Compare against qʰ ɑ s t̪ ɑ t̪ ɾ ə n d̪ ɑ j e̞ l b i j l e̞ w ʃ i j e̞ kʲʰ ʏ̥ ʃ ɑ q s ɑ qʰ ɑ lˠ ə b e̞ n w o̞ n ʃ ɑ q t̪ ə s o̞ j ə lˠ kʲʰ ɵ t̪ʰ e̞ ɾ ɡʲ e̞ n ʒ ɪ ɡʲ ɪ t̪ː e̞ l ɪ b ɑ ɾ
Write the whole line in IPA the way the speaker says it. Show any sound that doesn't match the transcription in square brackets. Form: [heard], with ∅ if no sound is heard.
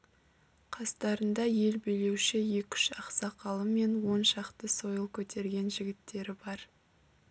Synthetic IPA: qʰ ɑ s t̪ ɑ [∅] ɾ ə n d̪ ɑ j e̞ l b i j l e̞ w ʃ [ɪ] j e̞ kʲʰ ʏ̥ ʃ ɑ q s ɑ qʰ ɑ lˠ ə [m] e̞ n w o̞ n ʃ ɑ q t̪ ə s o̞ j ə lˠ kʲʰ ɵ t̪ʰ e̞ ɾ ɡʲ e̞ n ʒ ɪ ɡʲ ɪ t̪ː e̞ [ɾ] ɪ b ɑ ɾ